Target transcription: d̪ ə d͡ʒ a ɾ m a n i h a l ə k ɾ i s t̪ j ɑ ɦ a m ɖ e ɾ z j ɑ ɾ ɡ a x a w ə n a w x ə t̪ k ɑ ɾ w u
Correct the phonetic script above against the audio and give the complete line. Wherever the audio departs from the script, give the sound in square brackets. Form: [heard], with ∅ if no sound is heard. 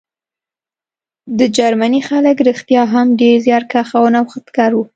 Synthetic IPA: d̪ ə d͡ʒ a ɾ m a n i [x] a l ə k ɾ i [x] t̪ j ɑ ɦ a m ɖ e ɾ z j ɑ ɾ [k] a x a w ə n a w x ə t̪ k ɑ ɾ w u

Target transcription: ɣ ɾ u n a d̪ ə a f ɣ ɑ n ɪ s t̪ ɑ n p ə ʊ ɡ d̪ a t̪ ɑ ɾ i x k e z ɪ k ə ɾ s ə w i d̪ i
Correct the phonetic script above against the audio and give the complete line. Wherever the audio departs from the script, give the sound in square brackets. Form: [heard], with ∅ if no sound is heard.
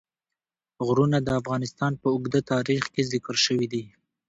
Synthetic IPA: ɣ ɾ u n a d̪ ə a f ɣ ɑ n ɪ s t̪ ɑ n p ə ʊ ɡ d̪ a t̪ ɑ ɾ i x k e z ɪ k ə ɾ [ʃ] ə w i d̪ i

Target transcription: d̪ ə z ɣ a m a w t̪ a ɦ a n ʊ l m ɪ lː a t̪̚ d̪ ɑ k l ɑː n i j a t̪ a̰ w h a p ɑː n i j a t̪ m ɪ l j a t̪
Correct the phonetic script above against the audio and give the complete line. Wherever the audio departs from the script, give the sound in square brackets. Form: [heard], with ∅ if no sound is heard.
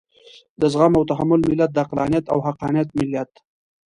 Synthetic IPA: d̪ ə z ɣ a m a w t̪ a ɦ a [m] ʊ l m ɪ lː a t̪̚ d̪ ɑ [q] l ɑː n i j a t̪ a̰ w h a [q] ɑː n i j a t̪ m ɪ l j a t̪

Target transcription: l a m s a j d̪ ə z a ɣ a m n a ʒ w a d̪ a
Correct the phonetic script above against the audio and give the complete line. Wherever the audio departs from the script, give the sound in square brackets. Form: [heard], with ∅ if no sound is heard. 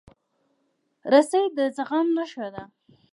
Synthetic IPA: [ɾ] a [∅] s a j d̪ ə z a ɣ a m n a [ʃ] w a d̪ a

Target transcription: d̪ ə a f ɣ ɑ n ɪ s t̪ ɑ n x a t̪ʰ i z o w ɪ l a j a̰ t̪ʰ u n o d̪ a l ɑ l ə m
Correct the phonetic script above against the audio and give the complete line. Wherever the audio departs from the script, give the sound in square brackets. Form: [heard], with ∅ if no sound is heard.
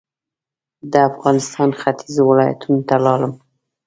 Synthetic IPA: d̪ ə a f ɣ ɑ n ɪ s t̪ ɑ n x a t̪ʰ i z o w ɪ l [ɑ] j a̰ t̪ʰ u n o [t̪] a l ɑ l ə m

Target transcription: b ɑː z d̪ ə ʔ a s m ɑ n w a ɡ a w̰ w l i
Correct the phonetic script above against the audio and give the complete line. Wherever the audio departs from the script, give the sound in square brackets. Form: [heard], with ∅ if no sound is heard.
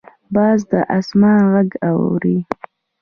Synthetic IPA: b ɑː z d̪ ə ʔ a s m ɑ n [ɣ] a ɡ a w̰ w [ɾ] i

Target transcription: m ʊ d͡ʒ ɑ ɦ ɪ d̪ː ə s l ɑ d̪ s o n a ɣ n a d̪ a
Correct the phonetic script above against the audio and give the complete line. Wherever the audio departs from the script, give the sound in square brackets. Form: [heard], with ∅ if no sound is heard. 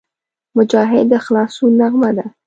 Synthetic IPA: m ʊ d͡ʒ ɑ ɦ ɪ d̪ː ə [x] l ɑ [∅] s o n a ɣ [m] a d̪ a

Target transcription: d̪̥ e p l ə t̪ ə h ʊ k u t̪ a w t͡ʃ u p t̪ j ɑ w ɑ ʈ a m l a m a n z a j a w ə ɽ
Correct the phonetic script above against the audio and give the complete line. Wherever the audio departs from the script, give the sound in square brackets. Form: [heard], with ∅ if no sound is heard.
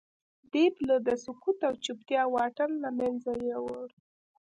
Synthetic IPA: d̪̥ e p l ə [d̪] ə [s] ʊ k u t̪ a w t͡ʃ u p t̪ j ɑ w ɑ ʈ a [n] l a m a n z a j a w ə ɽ

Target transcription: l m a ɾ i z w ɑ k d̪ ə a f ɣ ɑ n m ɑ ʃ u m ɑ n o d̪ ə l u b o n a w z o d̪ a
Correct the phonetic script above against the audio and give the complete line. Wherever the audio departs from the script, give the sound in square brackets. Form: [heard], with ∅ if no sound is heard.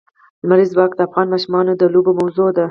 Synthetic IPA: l m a ɾ i z w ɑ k d̪ ə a f ɣ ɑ n m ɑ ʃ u m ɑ n o d̪ ə l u b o [m] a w z o d̪ a

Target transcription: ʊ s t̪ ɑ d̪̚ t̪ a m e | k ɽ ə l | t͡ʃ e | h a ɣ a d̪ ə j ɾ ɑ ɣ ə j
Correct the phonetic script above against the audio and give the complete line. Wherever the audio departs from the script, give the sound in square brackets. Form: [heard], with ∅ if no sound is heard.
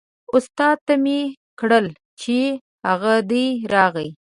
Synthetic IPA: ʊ s t̪ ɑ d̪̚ t̪ a m e | k ɽ ə l | t͡ʃ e | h a ɣ a d̪ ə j ɾ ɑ ɣ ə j

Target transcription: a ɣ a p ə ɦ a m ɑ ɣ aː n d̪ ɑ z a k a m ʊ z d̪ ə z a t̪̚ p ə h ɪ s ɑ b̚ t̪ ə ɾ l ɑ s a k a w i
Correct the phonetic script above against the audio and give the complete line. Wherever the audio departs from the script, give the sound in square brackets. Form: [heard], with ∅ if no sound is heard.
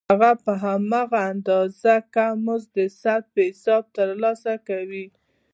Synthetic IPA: a ɣ a p ə ɦ a m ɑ ɣ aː n d̪ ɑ z a k a m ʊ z d̪ ə [s] a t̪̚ p ə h ɪ s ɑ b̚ t̪ ə ɾ l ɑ s a k a w i

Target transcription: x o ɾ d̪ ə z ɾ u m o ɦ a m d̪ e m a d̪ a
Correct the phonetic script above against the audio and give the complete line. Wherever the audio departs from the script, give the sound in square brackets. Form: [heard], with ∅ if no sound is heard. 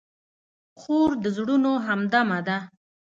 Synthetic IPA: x o ɾ d̪ ə z [ɽ] u [n] o ɦ a m d̪ [a] m a d̪ a

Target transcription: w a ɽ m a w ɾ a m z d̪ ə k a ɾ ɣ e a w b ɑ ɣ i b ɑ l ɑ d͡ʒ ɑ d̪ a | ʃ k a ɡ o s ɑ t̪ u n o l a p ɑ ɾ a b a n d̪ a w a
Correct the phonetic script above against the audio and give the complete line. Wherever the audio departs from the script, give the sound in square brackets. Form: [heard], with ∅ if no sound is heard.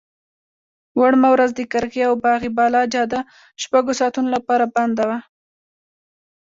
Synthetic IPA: w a ɽ m a w ɾ a [∅] z d̪ ə k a ɾ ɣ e a w b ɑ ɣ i b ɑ l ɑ d͡ʒ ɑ d̪ a | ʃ [p] a ɡ o s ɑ t̪ u n o l a p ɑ ɾ a b a n d̪ a w a

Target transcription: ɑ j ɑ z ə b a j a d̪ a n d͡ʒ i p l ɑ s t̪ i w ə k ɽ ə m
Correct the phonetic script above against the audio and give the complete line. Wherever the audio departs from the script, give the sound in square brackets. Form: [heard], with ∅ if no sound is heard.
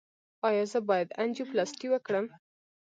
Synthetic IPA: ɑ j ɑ z ə b [ɑ] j a d̪ a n d͡ʒ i p l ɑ s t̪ i w ə k ɽ ə m

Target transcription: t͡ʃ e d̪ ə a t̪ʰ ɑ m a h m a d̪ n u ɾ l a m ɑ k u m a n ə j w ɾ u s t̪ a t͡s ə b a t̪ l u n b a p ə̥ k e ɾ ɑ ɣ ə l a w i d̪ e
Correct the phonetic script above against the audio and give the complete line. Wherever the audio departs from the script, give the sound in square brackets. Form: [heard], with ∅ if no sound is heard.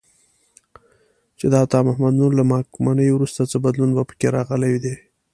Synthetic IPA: t͡ʃ e d̪ ə a [t̪] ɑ m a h m a d̪ n u ɾ l a m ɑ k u m a n ə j w ɾ u s t̪ a t͡s ə b a [d̪] l u n b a p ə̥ k e ɾ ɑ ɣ ə l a w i d̪ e

